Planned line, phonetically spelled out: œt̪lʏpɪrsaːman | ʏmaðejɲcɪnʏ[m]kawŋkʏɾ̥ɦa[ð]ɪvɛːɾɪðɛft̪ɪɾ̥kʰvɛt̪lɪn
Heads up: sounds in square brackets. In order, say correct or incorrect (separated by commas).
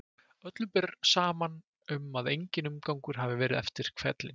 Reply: correct, incorrect